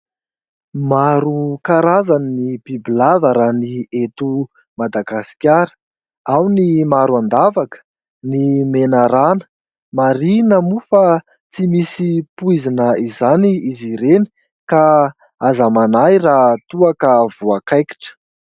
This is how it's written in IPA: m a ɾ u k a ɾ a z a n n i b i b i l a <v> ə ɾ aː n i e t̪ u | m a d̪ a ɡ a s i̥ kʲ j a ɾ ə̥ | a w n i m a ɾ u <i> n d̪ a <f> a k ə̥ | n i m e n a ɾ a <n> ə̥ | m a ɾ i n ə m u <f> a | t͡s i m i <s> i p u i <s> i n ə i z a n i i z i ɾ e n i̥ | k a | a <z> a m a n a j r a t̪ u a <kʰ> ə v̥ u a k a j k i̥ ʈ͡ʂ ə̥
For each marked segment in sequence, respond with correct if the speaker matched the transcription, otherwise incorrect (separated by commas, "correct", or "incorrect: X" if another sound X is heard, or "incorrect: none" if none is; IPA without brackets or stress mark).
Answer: correct, incorrect: a, incorrect: v, correct, correct, correct, incorrect: z, correct, incorrect: k